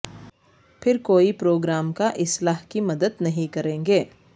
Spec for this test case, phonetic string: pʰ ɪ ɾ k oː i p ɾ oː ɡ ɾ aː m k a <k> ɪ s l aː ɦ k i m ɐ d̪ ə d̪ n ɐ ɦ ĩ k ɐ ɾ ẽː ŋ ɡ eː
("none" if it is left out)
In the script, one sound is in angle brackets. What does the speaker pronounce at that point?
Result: ʔ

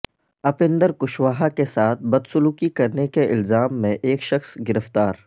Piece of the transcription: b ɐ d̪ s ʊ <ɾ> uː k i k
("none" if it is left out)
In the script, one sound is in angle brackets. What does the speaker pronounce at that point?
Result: l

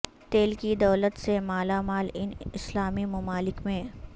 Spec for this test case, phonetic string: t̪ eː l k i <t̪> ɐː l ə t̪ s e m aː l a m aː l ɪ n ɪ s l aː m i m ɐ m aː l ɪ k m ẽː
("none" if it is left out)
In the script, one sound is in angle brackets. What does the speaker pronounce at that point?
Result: d̪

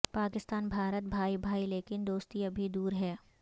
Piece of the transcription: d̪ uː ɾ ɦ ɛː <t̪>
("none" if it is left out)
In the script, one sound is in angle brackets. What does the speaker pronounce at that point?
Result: none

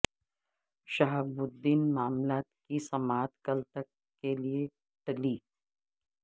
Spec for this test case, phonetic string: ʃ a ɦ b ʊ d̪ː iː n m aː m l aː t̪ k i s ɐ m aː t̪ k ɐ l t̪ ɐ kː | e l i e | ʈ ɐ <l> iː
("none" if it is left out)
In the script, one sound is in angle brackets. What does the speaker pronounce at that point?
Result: l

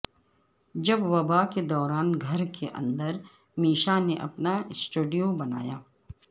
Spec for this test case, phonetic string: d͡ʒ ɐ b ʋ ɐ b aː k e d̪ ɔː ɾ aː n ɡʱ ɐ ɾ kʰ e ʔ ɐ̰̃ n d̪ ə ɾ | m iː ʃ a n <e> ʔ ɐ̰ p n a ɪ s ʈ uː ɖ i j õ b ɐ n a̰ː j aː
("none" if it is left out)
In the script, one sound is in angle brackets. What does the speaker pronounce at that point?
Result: e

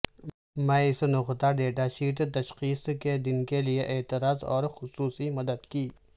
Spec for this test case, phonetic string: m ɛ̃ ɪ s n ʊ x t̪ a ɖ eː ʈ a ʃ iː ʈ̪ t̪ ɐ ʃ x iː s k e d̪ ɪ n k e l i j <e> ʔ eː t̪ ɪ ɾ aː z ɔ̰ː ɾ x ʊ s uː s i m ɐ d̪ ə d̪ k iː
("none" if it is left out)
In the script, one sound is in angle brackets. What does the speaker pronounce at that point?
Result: e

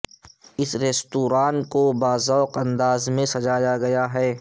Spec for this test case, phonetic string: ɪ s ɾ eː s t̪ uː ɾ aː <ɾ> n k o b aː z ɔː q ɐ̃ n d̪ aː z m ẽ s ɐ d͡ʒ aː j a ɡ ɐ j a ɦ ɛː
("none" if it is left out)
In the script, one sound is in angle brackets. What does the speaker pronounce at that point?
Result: none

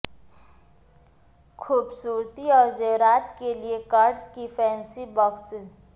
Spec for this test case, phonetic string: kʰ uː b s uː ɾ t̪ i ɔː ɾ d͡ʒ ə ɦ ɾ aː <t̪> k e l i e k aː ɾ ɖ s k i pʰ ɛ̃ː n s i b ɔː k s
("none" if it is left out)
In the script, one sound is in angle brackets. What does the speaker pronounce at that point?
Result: t̪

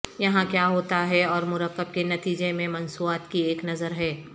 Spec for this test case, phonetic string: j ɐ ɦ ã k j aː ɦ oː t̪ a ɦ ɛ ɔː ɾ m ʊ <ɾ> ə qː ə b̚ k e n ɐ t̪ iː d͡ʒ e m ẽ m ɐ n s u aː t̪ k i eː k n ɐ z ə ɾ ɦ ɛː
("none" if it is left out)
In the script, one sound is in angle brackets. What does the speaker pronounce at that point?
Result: ɾ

